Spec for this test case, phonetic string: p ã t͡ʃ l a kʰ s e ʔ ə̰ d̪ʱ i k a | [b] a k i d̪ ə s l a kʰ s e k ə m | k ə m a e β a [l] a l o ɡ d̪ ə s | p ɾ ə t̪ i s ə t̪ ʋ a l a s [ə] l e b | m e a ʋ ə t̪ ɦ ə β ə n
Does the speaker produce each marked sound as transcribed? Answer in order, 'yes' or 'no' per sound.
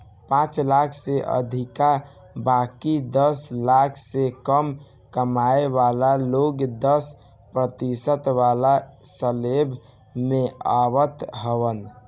yes, yes, yes

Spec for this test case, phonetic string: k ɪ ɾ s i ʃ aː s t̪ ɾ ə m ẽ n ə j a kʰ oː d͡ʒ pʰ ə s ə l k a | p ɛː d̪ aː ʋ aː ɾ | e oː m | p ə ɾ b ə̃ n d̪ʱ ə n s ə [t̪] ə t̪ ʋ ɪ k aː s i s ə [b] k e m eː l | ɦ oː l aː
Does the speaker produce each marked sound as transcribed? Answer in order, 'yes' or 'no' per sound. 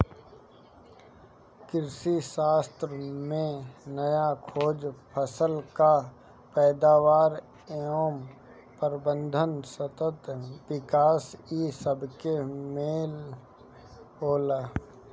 yes, yes

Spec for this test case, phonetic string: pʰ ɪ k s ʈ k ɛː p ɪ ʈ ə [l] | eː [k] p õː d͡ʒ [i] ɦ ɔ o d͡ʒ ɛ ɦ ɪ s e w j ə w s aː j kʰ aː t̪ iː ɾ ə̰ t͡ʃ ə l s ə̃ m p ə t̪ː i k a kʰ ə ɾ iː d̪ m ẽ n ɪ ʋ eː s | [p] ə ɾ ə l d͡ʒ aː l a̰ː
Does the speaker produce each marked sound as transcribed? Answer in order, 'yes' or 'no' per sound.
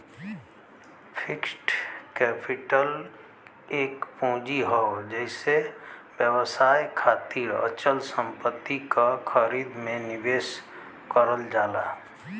yes, yes, yes, no

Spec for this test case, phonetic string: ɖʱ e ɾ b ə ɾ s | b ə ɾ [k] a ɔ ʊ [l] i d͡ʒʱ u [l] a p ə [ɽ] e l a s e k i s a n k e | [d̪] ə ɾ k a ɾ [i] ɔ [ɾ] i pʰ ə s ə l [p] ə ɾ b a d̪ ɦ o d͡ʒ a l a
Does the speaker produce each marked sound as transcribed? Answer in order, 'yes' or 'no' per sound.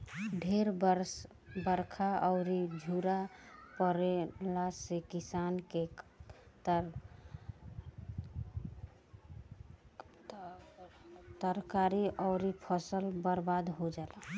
no, no, no, no, no, yes, yes, no

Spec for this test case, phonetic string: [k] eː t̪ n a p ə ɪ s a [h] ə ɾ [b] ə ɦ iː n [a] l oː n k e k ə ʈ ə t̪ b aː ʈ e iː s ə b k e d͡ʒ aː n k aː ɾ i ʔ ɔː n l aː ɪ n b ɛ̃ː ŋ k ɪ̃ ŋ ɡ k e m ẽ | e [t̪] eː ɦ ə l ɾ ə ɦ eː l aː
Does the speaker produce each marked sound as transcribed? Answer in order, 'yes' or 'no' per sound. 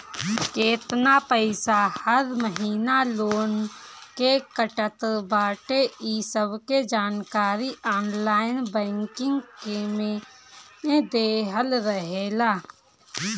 yes, yes, no, yes, no

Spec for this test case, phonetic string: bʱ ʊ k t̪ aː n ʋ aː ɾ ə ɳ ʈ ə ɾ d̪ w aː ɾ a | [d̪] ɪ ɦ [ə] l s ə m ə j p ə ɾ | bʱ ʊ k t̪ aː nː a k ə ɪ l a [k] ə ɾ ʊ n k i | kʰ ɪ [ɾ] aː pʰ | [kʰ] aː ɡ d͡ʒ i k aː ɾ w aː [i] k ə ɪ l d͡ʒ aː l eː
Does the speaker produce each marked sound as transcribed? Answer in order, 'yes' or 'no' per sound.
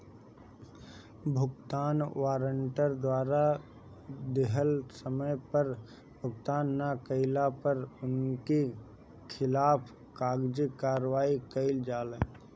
yes, yes, no, no, no, yes

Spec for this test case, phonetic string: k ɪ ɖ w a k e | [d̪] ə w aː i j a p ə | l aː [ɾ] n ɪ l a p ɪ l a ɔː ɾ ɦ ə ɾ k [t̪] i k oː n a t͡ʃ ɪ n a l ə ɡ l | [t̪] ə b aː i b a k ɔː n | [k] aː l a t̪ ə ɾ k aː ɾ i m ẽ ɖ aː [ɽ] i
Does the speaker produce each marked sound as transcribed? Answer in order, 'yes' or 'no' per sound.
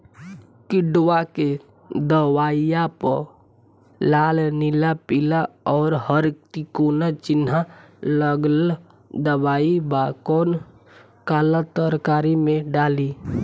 yes, no, yes, no, yes, no

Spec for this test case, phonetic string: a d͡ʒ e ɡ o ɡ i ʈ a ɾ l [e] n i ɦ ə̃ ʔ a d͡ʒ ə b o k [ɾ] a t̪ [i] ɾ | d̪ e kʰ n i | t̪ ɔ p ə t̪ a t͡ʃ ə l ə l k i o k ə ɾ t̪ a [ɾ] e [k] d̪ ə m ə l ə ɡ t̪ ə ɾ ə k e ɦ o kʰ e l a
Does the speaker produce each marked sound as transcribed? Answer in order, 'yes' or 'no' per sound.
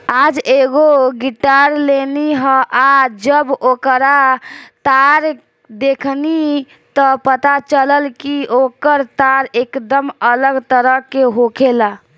yes, yes, no, yes, yes

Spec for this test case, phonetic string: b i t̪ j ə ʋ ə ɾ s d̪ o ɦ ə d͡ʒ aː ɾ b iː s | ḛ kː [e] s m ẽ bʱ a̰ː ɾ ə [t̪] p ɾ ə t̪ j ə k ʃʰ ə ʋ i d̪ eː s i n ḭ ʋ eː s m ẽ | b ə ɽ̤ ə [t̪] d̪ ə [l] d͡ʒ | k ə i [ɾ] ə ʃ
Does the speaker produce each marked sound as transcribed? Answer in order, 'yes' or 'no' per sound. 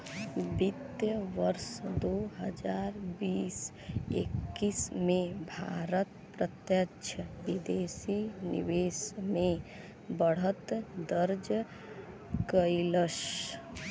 no, yes, yes, no, no

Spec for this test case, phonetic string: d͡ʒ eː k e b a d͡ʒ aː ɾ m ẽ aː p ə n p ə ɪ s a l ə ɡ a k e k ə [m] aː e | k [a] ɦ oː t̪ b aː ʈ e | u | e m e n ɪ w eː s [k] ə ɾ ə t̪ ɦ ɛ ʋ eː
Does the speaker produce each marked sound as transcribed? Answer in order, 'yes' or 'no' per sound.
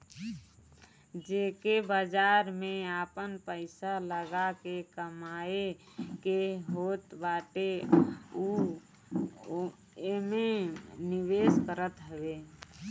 yes, no, yes

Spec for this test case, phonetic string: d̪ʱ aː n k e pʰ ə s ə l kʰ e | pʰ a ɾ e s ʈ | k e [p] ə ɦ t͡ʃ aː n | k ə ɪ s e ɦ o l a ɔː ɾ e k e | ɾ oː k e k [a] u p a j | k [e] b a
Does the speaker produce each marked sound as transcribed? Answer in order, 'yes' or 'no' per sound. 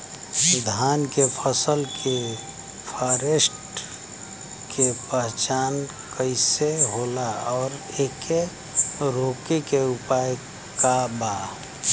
yes, no, no

